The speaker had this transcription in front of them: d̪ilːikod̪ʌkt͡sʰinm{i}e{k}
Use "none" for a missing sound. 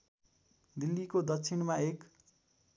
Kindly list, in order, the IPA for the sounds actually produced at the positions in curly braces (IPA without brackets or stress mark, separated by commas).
a, k